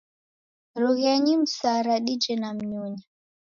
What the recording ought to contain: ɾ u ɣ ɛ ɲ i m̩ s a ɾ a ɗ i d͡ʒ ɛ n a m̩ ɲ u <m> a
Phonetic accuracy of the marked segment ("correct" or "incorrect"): incorrect